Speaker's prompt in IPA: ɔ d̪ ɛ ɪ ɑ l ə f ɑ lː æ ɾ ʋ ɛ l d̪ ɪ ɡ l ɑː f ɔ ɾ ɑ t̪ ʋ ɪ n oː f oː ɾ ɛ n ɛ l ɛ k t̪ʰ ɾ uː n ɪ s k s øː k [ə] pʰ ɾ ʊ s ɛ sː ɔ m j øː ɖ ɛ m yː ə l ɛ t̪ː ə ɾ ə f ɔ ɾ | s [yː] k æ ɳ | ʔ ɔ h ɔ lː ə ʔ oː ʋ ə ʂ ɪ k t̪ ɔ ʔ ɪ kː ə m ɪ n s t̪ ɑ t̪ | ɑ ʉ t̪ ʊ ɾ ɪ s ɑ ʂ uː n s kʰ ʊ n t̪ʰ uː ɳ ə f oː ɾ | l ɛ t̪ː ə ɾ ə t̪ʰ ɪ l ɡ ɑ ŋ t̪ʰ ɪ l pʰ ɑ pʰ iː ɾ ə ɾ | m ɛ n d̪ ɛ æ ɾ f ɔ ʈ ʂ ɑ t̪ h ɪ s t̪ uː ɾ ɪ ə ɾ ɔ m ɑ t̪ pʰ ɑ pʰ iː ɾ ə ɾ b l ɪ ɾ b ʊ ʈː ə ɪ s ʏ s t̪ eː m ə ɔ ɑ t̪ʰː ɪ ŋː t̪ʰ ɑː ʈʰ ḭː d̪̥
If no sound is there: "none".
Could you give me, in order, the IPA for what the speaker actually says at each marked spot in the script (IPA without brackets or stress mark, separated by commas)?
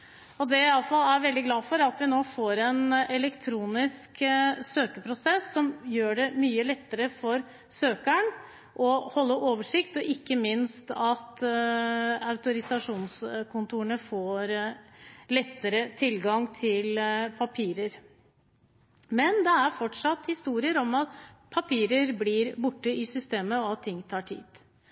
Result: ə, øː